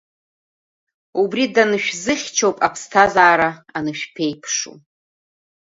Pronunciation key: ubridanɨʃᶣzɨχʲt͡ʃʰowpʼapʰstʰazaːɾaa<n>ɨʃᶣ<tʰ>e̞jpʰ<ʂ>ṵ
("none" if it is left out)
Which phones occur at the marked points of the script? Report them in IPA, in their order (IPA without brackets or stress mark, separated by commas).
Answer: n, pʰ, ʂ